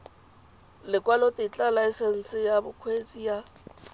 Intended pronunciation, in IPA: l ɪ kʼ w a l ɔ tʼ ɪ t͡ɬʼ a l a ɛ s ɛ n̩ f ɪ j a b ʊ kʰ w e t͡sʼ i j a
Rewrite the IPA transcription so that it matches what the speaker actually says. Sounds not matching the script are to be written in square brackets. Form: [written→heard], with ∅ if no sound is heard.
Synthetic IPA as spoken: l ɪ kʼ w a l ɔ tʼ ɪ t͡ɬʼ a l a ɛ s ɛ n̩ [f→s] ɪ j a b ʊ kʰ w e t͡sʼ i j a